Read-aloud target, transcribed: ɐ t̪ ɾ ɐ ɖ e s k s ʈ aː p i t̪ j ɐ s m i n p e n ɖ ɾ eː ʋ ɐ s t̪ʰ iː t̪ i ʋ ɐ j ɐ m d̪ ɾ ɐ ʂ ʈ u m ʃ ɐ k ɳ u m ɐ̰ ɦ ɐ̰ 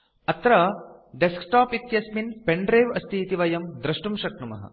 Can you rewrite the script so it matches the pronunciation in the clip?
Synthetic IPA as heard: ɐ t̪ ɾ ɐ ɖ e s k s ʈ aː p i t̪ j ɐ s m i n p e ɳ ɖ ɾ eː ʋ ɐ s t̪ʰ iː t̪ i ʋ ɐ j ɐ m d̪ ɾ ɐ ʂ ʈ u m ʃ ɐ k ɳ u m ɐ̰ ɦ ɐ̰